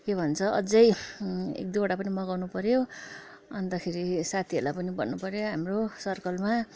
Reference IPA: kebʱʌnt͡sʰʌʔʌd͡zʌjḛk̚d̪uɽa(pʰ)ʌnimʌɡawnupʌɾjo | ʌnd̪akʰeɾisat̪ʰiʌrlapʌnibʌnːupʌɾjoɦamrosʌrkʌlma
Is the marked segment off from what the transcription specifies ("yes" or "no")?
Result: yes